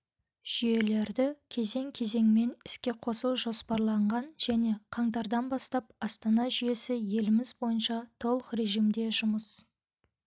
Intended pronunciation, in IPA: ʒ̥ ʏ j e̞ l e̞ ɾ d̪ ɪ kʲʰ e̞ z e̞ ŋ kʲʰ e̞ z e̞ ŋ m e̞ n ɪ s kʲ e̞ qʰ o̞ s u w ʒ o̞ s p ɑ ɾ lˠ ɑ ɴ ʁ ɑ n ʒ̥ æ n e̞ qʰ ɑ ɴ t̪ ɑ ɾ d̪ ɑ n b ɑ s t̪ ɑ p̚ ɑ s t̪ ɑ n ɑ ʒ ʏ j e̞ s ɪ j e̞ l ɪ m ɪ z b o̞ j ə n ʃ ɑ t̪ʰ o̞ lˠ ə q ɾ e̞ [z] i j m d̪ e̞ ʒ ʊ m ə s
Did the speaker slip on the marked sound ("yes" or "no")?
yes